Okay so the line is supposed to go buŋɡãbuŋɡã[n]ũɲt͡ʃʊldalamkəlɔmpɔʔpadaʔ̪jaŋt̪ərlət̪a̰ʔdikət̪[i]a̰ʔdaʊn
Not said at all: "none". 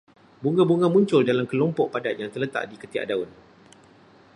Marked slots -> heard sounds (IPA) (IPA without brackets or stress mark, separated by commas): m, i